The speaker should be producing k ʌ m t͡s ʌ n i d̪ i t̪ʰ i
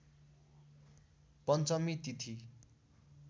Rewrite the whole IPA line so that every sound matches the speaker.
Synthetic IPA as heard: p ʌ n t͡s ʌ m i t̪ i t̪ʰ i